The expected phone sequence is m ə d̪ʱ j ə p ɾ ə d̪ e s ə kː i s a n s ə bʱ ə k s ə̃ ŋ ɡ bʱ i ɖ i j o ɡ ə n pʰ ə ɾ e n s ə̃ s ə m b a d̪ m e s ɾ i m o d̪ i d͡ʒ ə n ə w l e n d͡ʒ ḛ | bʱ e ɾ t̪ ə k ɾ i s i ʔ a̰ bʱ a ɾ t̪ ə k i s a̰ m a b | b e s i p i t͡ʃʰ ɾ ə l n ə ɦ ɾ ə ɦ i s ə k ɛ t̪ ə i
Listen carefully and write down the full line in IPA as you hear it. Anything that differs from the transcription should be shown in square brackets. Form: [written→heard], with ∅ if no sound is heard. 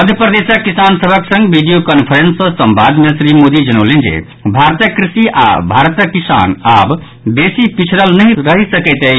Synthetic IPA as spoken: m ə d̪ʱ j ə p ɾ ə d̪ e s ə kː i s a n s ə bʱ ə k s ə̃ ŋ ɡ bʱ i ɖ i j o [ɡ→k] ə n pʰ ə ɾ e n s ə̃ s ə m b a d̪ m e s ɾ i m o d̪ i d͡ʒ ə n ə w l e n d͡ʒ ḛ | bʱ [e→a] ɾ t̪ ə k ɾ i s i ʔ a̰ bʱ a ɾ t̪ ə k i s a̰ [m→n] a b | b e s i p i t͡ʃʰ ɾ ə l n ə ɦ ɾ ə ɦ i s ə k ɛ t̪ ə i